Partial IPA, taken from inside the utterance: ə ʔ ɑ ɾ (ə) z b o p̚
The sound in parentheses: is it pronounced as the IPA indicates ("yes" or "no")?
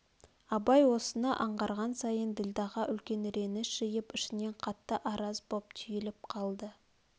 no